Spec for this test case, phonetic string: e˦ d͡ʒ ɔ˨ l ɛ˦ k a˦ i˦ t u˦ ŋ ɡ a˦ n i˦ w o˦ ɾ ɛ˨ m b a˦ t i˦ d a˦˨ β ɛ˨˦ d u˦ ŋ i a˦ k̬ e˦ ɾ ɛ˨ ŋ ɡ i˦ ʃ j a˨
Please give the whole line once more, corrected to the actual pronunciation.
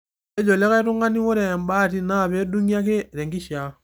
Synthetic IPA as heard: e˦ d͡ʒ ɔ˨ l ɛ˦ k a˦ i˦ t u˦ ŋ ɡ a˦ n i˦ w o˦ ɾ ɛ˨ m b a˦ t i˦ n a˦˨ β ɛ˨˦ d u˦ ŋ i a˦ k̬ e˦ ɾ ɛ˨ ŋ ɡ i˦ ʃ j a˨